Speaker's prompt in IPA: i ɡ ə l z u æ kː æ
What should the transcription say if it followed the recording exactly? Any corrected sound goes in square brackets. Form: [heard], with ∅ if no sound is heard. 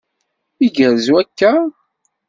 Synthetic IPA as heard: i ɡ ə [ɾ] z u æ kː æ